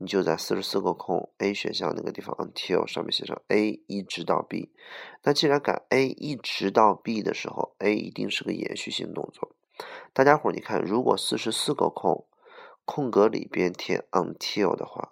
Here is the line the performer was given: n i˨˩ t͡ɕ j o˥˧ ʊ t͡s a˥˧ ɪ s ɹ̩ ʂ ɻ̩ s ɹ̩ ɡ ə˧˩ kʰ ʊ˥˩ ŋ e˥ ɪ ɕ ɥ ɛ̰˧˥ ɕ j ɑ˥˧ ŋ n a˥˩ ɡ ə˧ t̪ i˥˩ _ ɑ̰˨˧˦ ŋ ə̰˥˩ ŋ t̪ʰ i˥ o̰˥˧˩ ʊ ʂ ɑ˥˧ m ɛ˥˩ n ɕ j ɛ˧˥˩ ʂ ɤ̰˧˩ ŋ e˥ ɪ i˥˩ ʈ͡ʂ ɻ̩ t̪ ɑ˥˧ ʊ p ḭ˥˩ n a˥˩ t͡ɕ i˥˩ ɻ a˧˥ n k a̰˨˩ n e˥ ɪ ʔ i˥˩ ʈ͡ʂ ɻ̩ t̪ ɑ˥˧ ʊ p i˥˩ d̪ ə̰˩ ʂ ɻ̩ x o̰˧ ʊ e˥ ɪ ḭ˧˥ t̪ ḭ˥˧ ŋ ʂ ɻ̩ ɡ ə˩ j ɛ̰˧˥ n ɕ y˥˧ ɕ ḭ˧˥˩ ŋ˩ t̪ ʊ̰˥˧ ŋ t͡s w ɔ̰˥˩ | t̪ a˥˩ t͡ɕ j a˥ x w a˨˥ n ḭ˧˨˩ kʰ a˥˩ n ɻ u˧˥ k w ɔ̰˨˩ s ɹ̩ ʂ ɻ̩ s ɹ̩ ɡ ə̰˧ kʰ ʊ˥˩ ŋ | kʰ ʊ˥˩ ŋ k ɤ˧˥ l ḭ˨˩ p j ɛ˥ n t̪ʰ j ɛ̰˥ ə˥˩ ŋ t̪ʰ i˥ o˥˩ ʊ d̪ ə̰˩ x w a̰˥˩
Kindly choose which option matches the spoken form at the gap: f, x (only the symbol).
f